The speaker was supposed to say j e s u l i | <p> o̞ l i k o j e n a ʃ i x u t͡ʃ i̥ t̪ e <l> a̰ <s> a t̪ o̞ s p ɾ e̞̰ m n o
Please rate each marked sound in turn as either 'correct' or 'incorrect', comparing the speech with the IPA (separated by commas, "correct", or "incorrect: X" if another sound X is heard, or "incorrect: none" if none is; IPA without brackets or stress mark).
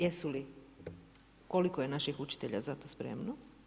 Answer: incorrect: k, incorrect: ʎ, incorrect: z